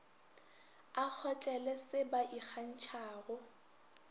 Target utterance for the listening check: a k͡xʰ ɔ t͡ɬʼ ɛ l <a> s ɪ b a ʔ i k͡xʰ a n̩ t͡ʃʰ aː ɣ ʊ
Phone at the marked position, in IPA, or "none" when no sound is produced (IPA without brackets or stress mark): ɛ